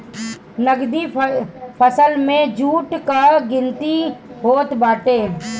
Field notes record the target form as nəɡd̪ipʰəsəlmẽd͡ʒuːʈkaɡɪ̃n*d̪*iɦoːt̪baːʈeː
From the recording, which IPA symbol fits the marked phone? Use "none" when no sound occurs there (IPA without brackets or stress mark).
t̪